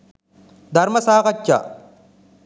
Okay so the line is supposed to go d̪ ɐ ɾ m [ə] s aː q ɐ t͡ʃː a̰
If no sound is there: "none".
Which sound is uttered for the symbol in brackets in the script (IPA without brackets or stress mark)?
ɐ